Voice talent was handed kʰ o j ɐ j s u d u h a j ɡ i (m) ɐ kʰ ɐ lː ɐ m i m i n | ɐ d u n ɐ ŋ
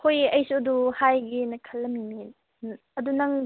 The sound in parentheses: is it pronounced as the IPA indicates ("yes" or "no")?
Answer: no